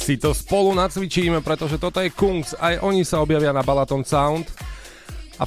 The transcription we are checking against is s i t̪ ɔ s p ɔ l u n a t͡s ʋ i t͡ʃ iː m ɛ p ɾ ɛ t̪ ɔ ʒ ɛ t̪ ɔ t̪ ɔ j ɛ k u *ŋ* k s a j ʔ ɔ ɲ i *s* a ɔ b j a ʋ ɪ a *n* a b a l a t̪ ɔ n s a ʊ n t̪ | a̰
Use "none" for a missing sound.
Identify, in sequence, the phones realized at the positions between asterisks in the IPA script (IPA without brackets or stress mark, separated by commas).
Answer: ŋ, s, n